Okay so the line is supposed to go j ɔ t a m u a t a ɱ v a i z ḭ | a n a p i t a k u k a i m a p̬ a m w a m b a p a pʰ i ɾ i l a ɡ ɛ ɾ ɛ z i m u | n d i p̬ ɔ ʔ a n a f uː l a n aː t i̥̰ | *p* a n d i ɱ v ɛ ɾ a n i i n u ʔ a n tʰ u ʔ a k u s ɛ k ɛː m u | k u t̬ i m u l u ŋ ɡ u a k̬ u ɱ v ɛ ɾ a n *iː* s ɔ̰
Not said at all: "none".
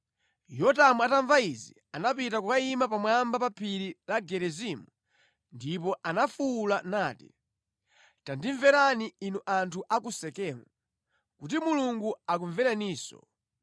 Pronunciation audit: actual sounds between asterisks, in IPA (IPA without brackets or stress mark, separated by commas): t, iː